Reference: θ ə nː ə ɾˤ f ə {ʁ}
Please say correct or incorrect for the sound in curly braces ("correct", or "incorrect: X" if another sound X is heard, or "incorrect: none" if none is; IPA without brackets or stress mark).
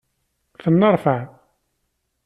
incorrect: ʕ